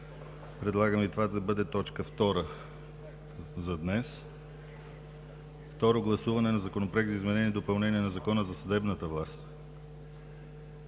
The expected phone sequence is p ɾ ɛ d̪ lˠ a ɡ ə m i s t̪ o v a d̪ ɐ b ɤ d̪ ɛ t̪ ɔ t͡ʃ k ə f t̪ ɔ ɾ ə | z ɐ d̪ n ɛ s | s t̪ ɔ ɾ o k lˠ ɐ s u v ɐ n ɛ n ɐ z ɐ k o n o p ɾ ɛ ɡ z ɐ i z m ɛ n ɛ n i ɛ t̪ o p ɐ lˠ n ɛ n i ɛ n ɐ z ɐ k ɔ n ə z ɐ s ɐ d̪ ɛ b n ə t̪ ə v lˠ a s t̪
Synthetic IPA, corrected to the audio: p ɾ ɛ d̪ lˠ a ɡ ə m i t̪ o v a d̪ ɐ b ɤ d̪ ɛ t̪ ɔ t͡ʃ k ə f t̪ ɔ ɾ ə | z ɐ d̪ n ɛ s | f t̪ ɔ ɾ o ɡ lˠ ɐ s u v ɐ n ɛ n ɐ z ɐ k o n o p ɾ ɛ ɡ z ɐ i z m ɛ n ɛ n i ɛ d̪ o p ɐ lˠ n ɛ n i ɛ n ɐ z ɐ k ɔ n ə z ɐ s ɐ d̪ ɛ b n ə t̪ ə v lˠ a s t̪